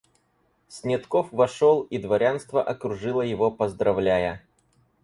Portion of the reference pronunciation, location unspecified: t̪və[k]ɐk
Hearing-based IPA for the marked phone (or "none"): ʔ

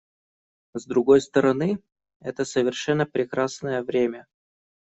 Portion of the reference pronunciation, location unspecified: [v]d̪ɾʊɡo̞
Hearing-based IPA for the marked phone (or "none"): z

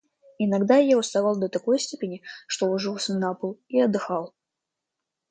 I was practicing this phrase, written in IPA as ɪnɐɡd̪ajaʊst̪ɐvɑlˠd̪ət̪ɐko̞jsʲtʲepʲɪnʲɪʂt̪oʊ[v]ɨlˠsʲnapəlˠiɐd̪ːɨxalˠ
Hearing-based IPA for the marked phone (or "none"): ʐ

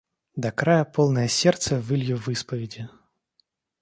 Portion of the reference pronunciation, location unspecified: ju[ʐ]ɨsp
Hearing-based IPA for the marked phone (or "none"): v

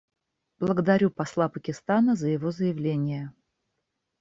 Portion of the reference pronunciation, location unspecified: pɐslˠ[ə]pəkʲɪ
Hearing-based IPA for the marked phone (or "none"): a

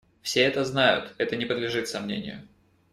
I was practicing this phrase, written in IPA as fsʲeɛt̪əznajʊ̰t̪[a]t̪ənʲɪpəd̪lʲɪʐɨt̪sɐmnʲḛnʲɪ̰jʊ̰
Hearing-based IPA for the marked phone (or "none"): ɛ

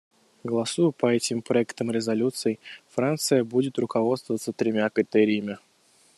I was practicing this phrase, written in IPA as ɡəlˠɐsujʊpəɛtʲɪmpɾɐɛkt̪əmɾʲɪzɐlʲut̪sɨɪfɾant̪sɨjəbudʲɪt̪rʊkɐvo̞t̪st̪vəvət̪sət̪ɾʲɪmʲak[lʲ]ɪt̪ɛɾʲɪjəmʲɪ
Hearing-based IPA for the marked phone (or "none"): ɾʲ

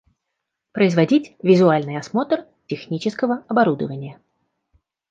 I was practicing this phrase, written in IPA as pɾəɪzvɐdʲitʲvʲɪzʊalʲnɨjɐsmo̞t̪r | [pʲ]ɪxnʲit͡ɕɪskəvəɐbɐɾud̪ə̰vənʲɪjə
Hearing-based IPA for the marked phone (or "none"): tʲ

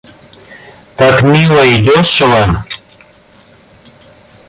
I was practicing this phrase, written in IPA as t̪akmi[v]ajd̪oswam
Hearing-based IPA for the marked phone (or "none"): w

